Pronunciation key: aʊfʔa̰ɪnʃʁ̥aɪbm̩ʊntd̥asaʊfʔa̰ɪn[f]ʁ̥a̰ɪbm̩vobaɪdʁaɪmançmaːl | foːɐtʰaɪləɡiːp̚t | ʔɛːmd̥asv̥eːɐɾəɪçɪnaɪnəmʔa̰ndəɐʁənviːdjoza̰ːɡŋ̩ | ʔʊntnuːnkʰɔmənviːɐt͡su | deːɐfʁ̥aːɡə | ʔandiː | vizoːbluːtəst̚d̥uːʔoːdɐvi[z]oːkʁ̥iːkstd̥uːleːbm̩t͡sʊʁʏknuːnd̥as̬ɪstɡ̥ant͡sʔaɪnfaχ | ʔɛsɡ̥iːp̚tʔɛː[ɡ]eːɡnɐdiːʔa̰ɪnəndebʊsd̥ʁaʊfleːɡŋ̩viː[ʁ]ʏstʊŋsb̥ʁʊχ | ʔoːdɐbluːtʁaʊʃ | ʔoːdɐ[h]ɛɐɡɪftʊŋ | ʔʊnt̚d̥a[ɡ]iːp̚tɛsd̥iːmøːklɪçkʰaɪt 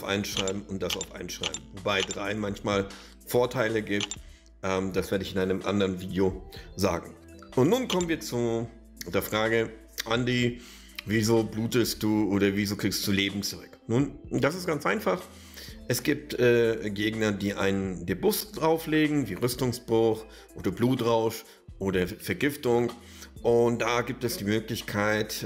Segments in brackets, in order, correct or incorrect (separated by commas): incorrect, correct, correct, correct, incorrect, correct